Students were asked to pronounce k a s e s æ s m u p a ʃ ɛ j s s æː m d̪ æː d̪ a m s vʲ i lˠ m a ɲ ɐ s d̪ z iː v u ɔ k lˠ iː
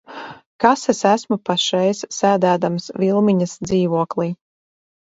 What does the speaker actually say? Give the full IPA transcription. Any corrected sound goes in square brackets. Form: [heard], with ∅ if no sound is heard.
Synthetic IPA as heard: k a s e s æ s m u p a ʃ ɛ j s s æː [∅] d̪ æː d̪ a m s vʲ i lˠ m [i] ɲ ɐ s d̪ z iː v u ɔ k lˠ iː